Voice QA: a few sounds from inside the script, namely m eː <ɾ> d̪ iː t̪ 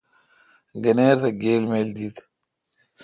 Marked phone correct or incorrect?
incorrect